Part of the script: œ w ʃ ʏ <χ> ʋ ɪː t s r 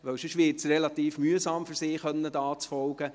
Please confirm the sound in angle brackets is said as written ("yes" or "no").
no